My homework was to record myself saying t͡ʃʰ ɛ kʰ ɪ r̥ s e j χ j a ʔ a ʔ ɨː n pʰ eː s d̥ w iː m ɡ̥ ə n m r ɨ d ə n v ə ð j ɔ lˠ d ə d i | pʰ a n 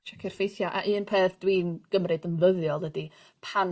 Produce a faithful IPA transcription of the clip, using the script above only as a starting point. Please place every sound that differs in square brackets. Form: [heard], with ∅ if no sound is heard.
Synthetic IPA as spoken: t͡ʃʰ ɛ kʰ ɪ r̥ [f] e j [θ] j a ʔ a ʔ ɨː n pʰ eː [θ] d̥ w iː [n] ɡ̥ ə [∅] m r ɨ d ə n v ə ð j ɔ lˠ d ə d i | pʰ a n